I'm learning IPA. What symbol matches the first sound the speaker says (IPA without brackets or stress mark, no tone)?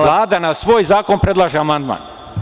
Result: l